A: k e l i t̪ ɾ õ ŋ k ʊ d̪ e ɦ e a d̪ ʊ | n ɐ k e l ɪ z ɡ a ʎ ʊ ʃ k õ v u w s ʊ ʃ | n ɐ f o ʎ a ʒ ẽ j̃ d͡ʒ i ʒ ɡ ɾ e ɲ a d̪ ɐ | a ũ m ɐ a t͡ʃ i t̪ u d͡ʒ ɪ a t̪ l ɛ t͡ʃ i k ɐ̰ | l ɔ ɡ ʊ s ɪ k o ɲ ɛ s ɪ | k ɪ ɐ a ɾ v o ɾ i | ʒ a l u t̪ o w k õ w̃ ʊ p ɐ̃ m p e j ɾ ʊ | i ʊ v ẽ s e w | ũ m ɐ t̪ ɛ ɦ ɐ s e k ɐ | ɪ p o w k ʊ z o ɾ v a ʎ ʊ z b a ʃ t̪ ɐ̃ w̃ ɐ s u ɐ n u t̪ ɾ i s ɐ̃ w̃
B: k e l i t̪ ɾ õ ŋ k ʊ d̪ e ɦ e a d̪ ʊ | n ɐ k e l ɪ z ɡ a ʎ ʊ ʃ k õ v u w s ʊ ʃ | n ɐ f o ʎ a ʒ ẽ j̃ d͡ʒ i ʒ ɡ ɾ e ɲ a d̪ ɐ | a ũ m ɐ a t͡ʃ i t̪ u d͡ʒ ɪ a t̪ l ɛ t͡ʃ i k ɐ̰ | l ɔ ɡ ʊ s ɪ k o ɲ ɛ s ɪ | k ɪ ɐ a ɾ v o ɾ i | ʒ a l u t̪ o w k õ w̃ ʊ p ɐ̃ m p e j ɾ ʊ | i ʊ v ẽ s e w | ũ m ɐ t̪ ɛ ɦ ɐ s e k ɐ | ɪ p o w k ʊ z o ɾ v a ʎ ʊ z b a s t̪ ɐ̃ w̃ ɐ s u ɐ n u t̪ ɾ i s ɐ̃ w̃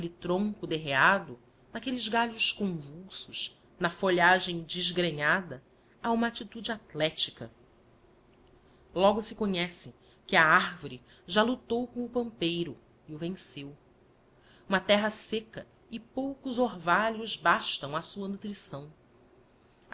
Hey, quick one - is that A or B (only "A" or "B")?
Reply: A